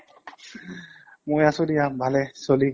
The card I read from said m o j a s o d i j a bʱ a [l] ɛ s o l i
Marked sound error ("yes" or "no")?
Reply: no